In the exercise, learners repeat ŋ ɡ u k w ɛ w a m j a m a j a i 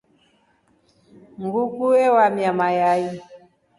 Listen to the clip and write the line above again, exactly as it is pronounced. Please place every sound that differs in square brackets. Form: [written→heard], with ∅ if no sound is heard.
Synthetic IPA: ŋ ɡ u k [w→u] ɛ w a m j a m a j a i